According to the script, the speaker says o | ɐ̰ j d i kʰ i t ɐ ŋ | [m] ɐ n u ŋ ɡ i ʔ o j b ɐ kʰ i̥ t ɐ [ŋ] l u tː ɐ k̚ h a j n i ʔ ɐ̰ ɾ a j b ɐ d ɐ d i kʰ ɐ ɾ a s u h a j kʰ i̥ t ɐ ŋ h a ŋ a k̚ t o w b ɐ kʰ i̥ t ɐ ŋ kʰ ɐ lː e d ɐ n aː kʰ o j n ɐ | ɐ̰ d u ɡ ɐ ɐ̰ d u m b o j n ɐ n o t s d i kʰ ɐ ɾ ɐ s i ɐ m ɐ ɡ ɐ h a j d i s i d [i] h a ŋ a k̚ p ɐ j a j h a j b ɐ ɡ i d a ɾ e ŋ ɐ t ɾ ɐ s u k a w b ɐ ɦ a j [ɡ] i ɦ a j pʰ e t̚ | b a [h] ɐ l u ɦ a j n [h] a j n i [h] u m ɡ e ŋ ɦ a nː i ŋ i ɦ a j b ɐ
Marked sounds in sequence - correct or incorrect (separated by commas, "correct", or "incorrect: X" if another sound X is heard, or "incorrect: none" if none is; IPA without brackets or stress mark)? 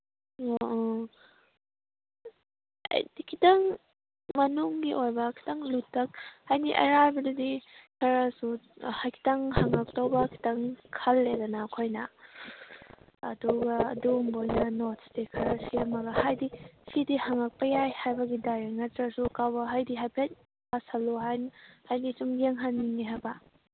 correct, correct, correct, incorrect: d, incorrect: s, correct, incorrect: s